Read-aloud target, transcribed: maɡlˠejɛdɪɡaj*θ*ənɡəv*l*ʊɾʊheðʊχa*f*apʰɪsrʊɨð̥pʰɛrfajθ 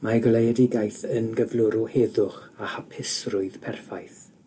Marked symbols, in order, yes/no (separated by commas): yes, yes, no